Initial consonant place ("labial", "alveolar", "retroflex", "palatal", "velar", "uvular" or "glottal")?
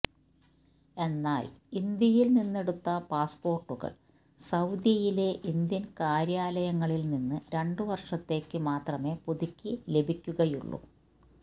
alveolar